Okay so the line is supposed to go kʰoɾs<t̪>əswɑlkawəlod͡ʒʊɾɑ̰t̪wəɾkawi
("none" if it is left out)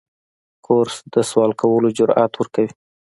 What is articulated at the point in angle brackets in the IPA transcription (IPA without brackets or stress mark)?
d̪